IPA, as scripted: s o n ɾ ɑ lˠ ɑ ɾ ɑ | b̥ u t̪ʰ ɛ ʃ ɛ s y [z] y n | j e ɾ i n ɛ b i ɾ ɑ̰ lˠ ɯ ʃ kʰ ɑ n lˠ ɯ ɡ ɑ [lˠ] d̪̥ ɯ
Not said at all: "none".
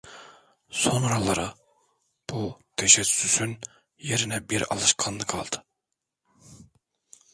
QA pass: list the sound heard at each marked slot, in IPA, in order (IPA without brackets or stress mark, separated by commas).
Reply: s, lˠ